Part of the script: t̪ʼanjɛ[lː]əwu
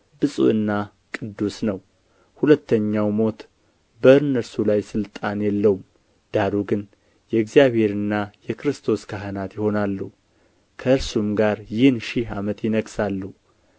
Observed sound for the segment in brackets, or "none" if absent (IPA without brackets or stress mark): lː